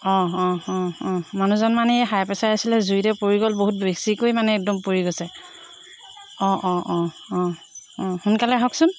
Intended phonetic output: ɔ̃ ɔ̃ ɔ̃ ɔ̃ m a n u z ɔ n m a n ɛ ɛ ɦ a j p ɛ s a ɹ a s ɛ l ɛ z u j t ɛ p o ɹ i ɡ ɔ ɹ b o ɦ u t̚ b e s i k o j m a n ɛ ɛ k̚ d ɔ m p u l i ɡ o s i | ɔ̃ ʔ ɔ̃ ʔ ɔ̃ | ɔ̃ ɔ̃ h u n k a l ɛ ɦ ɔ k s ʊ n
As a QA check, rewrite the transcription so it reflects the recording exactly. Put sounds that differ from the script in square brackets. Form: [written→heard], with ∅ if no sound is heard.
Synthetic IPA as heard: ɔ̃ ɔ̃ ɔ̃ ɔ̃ m a n u z ɔ n m a n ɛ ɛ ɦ a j p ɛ s a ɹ a s [ɛ→i] l ɛ z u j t ɛ p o ɹ i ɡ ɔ [ɹ→l] b o ɦ u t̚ b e s i k o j m a n ɛ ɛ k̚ d ɔ m p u [l→ɹ] i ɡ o s [i→ɛ] | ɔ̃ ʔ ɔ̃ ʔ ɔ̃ | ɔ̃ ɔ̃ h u n k a l ɛ ɦ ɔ k s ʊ n

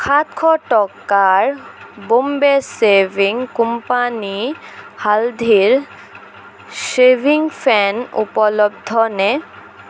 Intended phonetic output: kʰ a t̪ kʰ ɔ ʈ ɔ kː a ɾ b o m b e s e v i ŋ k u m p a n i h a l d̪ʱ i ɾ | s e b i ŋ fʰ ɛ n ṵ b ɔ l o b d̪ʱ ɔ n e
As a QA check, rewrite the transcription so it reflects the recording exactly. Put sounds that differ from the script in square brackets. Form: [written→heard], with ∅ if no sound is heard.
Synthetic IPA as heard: kʰ a t̪ kʰ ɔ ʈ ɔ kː a ɾ b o m b e s e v i ŋ k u m p a n i h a l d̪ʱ i ɾ | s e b i ŋ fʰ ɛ n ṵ [b→p] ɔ l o b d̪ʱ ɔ n e

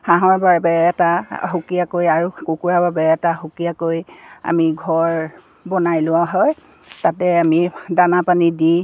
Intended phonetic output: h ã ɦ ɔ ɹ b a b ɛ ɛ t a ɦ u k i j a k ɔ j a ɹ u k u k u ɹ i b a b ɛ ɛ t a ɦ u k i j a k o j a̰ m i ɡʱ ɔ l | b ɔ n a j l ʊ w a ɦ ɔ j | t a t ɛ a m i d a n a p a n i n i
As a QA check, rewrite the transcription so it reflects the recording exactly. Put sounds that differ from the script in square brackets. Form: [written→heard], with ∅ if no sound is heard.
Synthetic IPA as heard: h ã ɦ ɔ ɹ b a b ɛ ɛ t a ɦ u k i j a k [ɔ→o] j a ɹ u k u k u ɹ [i→a] b a b ɛ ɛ t a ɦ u k i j a k o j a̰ m i ɡʱ ɔ [l→ɹ] | b ɔ n a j l ʊ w a ɦ ɔ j | t a t ɛ a m i d a n a p a n i [n→d] i

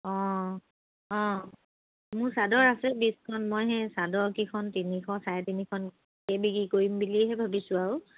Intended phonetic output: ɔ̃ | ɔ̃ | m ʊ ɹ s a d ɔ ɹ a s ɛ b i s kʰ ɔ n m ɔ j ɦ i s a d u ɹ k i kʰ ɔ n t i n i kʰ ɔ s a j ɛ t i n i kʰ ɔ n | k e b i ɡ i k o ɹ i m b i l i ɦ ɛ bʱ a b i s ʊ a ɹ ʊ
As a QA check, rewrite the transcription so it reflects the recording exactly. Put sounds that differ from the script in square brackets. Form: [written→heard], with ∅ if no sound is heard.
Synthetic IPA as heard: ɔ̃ | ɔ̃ | m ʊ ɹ s a d ɔ ɹ a s ɛ b i s kʰ ɔ n m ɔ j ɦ [i→ɛ] s a d [u→ɔ] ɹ k i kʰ ɔ n t i n i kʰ ɔ s a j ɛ t i n i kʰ ɔ n | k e b i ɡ i k o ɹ i m b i l i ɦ ɛ bʱ a b i s ʊ a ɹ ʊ

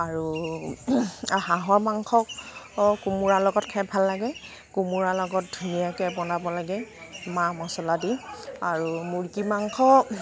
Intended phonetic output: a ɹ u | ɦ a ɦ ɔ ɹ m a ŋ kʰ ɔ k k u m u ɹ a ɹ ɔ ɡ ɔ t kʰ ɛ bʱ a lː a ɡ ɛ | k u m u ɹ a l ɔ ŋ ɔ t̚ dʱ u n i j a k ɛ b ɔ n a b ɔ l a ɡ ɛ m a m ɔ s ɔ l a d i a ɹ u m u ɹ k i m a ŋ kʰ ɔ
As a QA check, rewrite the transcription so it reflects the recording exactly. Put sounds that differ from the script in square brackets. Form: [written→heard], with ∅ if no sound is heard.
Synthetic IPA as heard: a ɹ u | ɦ a ɦ ɔ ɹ m a ŋ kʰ ɔ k k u m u ɹ a [ɹ→l] ɔ ɡ ɔ t kʰ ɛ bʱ a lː a ɡ ɛ | k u m u ɹ a l ɔ [ŋ→ɡ] ɔ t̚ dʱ u n i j a k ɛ b ɔ n a b ɔ l a ɡ ɛ m a m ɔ s ɔ l a d i a ɹ u m u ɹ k i m a ŋ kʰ ɔ

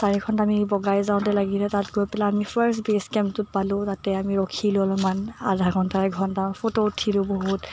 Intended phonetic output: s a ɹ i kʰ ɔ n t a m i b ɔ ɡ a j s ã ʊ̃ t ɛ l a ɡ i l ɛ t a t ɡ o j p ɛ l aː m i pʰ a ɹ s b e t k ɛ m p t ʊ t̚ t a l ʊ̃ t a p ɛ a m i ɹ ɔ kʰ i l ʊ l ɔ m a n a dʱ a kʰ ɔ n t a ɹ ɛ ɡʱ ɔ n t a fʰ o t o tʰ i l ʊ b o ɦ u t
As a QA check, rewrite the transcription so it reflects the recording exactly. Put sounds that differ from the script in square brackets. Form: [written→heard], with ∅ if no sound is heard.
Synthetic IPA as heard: s a ɹ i kʰ ɔ n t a m i b ɔ ɡ a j [s→z] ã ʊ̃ t ɛ l a ɡ i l ɛ t a t ɡ o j p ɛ l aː m i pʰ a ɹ s b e [t→s] k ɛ m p t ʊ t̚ [t→p] a l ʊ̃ t a [p→t] ɛ a m i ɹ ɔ kʰ i l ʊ l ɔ m a n a dʱ a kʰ ɔ n t a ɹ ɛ ɡʱ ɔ n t a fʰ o t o tʰ i l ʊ b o ɦ u t

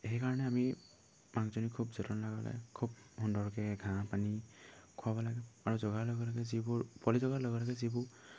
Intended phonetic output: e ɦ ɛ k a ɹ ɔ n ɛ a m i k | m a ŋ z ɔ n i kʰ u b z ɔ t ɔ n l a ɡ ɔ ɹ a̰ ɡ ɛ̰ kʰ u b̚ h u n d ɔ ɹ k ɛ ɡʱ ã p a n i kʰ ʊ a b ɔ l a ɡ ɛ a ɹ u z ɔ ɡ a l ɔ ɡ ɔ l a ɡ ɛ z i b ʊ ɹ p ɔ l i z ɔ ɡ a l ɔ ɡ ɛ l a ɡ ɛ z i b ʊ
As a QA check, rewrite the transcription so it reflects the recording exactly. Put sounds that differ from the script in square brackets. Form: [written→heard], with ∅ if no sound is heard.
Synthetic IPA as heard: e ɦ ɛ k a ɹ ɔ n ɛ a m i [k→∅] | m a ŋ z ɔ n i kʰ u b z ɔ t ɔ n l a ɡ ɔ [ɹ→l] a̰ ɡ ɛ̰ kʰ u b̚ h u n d ɔ ɹ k ɛ ɡʱ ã p a n i kʰ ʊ a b ɔ l a ɡ ɛ a ɹ u z ɔ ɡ a l ɔ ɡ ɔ l a ɡ ɛ z i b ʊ ɹ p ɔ l i z ɔ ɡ a l ɔ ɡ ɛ l a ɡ ɛ z i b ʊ

